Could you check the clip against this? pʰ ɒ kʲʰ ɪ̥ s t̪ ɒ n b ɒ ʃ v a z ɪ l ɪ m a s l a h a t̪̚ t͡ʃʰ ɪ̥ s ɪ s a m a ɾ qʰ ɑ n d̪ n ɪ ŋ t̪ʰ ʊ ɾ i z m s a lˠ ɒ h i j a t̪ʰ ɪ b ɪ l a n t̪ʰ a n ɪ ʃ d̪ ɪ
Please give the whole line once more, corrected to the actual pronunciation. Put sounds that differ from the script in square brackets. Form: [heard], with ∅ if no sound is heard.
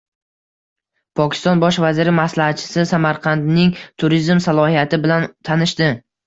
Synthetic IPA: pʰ ɒ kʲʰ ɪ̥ s t̪ ɒ n b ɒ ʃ v a z ɪ [ɾ] ɪ m a s l a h a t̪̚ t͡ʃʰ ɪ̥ s ɪ s a m a ɾ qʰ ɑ n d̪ n ɪ ŋ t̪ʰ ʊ ɾ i z m s a lˠ ɒ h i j a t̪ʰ ɪ b ɪ l a n t̪ʰ a n ɪ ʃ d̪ ɪ